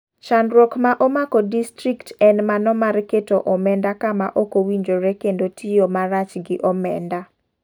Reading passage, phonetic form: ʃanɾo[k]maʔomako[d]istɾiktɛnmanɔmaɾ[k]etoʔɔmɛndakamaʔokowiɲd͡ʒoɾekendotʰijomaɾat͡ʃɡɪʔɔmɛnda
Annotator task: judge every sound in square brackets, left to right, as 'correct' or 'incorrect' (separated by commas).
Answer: correct, correct, correct